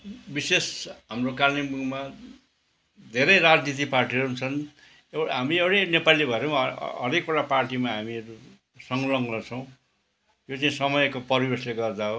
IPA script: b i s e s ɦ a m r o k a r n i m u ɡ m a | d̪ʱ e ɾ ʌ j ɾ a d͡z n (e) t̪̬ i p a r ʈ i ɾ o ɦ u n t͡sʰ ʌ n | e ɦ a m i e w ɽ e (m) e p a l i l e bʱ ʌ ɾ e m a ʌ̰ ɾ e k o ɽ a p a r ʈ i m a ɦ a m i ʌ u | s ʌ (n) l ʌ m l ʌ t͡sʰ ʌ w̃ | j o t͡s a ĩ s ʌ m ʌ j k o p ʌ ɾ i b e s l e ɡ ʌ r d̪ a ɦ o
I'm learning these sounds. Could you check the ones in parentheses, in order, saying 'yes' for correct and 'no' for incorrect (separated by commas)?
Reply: no, no, no